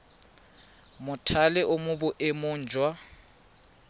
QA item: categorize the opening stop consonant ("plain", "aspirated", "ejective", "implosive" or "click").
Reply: aspirated